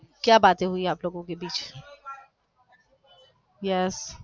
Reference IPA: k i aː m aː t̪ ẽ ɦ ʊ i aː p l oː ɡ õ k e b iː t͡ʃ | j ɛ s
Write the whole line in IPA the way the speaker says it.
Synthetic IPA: k j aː b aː t̪ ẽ ɦ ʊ i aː p l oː ɡ õ k e b iː t͡ʃ | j ɛ s